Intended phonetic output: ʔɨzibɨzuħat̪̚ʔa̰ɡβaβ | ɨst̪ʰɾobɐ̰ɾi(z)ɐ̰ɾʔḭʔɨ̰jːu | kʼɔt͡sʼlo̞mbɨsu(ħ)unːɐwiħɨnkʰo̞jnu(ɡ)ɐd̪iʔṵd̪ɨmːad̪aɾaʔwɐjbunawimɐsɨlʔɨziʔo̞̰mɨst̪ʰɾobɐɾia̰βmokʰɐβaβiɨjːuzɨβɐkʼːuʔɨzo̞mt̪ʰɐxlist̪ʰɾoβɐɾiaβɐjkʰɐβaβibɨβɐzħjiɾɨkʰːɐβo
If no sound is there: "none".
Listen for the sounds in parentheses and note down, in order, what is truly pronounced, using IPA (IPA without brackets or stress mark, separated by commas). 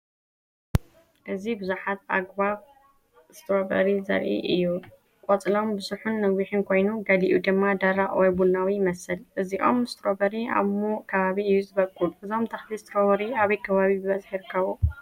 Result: z, ħ, ɡ